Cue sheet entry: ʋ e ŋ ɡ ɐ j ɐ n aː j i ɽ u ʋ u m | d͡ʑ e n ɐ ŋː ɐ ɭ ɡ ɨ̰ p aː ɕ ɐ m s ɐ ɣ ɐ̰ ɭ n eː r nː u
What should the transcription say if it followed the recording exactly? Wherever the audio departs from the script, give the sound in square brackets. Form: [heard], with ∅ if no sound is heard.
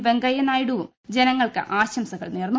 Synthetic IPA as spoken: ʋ e ŋ ɡ ɐ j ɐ n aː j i ɽ u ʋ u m | d͡ʑ e n ɐ ŋː ɐ ɭ [k] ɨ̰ [ʔ] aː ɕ ɐ m s ɐ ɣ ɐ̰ ɭ n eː r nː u